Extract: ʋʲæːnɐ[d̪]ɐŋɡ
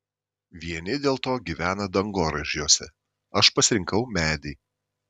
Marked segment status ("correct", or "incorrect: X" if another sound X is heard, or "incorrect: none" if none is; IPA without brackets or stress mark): correct